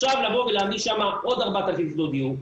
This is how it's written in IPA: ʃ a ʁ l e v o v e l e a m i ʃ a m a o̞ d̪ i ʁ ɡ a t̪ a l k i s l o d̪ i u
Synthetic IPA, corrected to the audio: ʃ a v l a v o v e l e a m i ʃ a m a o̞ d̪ a ʁ b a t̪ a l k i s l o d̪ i u